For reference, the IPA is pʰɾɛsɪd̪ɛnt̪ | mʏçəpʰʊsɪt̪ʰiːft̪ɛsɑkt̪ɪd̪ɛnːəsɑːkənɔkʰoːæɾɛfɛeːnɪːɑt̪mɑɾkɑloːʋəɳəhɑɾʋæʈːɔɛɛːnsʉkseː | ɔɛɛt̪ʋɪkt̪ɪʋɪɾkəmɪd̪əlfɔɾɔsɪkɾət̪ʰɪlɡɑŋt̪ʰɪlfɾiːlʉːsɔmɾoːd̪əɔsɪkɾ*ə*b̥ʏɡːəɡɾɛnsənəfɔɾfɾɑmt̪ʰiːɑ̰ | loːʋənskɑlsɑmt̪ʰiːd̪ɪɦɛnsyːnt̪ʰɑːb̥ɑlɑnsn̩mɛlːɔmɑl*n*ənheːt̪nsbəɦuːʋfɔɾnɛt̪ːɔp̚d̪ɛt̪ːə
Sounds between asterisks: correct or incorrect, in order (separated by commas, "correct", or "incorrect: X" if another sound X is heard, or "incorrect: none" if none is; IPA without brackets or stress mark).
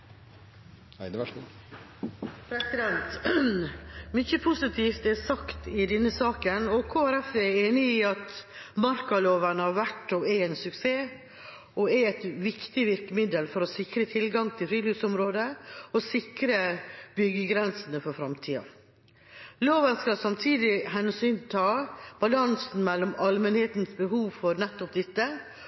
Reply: correct, incorrect: m